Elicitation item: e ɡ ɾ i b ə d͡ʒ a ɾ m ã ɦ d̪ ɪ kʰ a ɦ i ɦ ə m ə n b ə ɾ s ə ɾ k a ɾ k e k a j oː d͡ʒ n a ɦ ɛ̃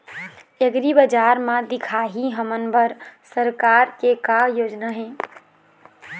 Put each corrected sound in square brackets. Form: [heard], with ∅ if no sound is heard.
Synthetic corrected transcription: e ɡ ɾ i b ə d͡ʒ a ɾ m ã [∅] d̪ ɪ kʰ a ɦ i ɦ ə m ə n b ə ɾ s ə ɾ k a ɾ k e k a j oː d͡ʒ n a ɦ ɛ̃